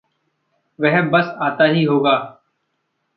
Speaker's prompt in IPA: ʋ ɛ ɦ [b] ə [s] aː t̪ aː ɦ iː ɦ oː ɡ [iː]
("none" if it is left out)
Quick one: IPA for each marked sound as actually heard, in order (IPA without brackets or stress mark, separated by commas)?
b, s, aː